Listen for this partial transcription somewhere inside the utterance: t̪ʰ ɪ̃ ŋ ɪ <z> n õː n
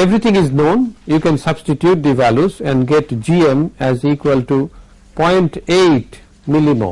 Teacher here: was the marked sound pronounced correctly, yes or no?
yes